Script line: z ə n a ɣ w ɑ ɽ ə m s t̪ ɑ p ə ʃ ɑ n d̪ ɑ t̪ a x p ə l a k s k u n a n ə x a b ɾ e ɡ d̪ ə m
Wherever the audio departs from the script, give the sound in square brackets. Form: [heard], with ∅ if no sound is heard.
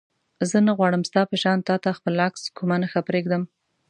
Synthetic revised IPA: z ə n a ɣ w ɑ ɽ ə m s t̪ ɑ p ə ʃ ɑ n [t̪] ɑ t̪ a x p ə l a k s k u [m] a n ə x a [p] ɾ e ɡ d̪ ə m